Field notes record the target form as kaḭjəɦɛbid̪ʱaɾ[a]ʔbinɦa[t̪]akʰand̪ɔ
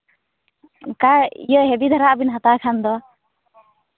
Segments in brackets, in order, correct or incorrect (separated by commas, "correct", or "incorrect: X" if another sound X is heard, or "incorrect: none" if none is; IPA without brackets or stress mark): correct, correct